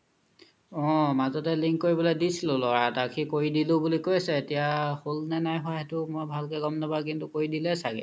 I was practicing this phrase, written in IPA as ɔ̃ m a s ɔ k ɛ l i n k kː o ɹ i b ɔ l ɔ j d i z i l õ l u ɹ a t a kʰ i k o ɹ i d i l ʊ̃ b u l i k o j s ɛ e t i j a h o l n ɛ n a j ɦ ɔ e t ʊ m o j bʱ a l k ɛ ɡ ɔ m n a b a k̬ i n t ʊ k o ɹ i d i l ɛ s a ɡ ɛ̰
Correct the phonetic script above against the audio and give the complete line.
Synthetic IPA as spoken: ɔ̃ m a z ɔ t ɛ l i ŋ k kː o ɹ i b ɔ l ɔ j d i s i l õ l ɔ ɹ a t a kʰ i k o ɹ i d i l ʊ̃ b u l i k o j s ɛ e t i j a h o l n ɛ n a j ɦ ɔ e t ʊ m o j bʱ a l k ɛ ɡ ɔ m n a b a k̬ i n t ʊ k o ɹ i d i l ɛ s a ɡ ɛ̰